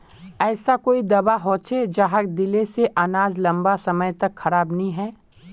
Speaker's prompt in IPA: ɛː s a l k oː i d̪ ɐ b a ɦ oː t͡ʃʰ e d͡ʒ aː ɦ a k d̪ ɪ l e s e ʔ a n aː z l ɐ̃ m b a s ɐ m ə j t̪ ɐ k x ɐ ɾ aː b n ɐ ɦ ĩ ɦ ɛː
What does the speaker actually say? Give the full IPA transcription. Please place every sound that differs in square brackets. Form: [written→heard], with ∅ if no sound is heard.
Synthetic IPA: ɛː s a [l→∅] k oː i d̪ ɐ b a ɦ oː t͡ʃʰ e d͡ʒ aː ɦ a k d̪ ɪ l e s e ʔ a n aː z l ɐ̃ m b a s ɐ m ə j t̪ ɐ k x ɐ ɾ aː b n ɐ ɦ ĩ ɦ ɛː

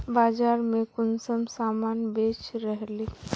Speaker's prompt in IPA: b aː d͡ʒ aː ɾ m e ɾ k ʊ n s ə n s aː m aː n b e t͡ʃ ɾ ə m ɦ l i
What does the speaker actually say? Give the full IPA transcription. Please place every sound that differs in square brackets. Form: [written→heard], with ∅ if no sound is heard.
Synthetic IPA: b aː d͡ʒ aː ɾ m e [ɾ→∅] k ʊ n s ə [n→m] s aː m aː n b e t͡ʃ ɾ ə [m→∅] ɦ l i

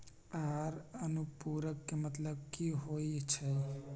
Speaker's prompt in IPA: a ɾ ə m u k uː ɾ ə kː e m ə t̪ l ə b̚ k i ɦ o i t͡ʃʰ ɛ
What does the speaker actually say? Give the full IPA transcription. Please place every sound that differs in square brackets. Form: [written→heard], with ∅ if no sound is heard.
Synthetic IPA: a ɾ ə [m→n] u [k→p] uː ɾ ə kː e m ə t̪ l ə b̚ k i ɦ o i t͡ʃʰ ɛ

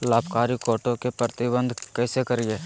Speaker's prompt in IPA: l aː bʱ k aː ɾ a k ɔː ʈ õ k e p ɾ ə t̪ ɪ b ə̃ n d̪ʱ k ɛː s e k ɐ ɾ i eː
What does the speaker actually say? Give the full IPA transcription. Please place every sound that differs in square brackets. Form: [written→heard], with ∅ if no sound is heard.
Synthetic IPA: l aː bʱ k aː ɾ [a→i] k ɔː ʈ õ k e p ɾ ə t̪ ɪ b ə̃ n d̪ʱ k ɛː s e k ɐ ɾ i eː

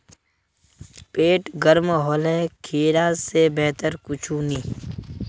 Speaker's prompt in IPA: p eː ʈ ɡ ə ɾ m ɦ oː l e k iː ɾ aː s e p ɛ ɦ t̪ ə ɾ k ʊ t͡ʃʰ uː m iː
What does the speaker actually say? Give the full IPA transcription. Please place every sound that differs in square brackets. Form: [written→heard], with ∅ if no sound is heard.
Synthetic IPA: p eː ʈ ɡ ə ɾ m ɦ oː l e [k→kʰ] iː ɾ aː s e [p→b] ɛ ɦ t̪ ə ɾ k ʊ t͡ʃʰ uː [m→n] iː

